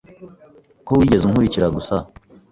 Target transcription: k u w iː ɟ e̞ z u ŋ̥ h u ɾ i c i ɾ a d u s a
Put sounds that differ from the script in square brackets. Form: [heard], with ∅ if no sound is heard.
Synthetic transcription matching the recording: k [o] w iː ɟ e̞ z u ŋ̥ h u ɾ i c i ɾ a [ɡ] u s a